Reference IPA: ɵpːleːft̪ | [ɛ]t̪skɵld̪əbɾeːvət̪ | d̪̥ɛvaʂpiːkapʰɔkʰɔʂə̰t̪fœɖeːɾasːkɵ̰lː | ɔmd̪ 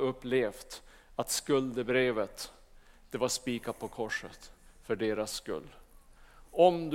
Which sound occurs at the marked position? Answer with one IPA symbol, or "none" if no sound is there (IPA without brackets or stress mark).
a